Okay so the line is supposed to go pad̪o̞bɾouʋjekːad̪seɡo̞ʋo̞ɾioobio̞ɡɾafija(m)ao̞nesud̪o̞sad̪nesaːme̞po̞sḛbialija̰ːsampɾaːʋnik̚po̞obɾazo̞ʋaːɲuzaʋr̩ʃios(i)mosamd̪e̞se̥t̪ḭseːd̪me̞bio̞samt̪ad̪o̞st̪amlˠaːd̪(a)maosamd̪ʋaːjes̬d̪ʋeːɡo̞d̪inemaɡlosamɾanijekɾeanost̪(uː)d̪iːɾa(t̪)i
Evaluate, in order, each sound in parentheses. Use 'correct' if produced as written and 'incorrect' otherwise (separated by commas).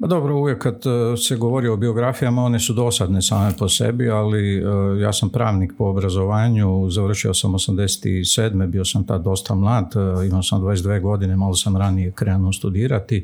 correct, incorrect, incorrect, incorrect, correct